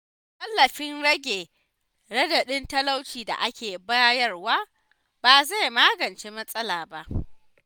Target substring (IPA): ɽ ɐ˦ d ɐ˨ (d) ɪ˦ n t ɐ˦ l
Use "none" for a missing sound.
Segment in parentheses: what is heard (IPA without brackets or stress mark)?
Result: ɗ